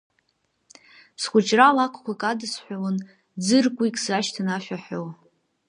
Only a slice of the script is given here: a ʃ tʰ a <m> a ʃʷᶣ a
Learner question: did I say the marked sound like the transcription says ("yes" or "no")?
no